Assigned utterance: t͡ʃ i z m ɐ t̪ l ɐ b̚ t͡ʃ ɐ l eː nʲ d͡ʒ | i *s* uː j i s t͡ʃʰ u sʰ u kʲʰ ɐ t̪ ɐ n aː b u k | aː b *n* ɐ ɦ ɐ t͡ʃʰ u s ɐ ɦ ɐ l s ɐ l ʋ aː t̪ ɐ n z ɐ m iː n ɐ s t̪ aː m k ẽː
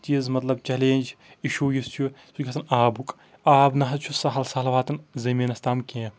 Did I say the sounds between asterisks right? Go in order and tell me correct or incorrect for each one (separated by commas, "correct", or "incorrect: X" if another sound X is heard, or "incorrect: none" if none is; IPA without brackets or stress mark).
incorrect: ʃ, correct